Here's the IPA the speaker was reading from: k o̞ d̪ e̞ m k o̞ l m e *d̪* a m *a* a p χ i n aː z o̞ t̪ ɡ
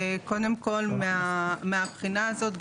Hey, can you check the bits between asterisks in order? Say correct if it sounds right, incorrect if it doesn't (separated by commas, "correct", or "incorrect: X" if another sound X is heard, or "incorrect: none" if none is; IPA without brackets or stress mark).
incorrect: none, incorrect: e